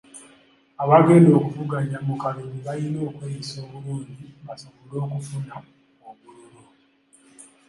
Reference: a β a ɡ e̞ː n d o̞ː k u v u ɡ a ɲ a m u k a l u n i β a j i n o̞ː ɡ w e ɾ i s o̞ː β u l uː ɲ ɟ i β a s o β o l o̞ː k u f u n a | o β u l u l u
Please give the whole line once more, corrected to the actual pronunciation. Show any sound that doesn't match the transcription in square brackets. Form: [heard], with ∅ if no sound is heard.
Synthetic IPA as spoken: a β a ɡ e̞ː n d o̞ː k u v u ɡ a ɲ a m u k a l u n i β a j i n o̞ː [k] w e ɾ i s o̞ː β u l uː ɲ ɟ i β a s o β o l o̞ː k u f u n a | o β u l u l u